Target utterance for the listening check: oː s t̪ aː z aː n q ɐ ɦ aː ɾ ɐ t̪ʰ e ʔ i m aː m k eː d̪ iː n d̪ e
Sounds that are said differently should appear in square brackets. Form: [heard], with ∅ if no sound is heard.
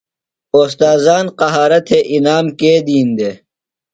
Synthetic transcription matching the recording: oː s t̪ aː z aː n q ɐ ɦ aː ɾ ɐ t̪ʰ e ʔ i [n] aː m k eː d̪ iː n d̪ e